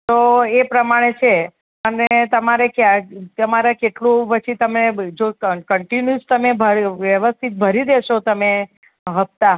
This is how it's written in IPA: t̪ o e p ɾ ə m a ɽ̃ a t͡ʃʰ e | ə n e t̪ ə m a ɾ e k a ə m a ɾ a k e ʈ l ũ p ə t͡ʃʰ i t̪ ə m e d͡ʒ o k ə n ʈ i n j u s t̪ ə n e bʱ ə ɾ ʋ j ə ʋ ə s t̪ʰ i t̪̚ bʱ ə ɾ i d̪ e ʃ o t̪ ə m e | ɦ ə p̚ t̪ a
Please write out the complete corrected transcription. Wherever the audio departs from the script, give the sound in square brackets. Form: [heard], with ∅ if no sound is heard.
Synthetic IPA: t̪ o e p ɾ ə m a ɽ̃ [e] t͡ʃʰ e | ə n e t̪ ə m a ɾ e k a ə m a ɾ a k e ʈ l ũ p ə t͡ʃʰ i t̪ ə m e d͡ʒ o k ə [ɳ] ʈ i n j u s t̪ ə [m] e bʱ ə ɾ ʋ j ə ʋ ə s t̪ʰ i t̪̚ bʱ ə ɾ i d̪ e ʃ o t̪ ə m e | ɦ ə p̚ t̪ a